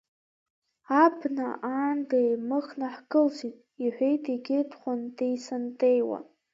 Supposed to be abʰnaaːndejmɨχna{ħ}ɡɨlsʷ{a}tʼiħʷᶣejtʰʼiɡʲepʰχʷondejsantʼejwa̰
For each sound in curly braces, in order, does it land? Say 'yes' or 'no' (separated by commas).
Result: yes, no